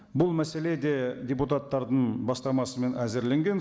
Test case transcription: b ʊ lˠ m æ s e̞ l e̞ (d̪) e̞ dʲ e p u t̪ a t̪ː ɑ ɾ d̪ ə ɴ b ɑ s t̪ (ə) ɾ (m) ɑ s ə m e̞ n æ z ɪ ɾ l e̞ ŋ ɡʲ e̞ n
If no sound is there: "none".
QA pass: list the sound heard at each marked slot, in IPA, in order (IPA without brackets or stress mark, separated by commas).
d̪, ɑ, m